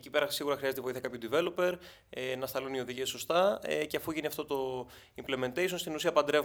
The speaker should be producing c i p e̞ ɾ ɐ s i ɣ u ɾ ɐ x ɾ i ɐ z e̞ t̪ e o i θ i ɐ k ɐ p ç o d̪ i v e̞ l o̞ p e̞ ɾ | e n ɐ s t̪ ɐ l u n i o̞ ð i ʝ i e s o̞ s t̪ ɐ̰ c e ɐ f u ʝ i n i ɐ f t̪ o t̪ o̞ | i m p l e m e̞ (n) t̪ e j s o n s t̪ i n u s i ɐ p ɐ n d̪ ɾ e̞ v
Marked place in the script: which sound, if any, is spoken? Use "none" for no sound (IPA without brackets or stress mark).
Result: n